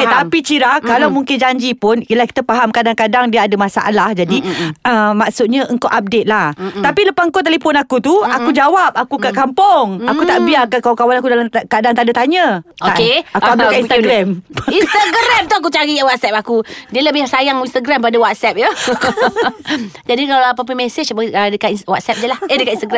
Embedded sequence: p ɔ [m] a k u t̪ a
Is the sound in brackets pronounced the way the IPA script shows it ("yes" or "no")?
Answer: no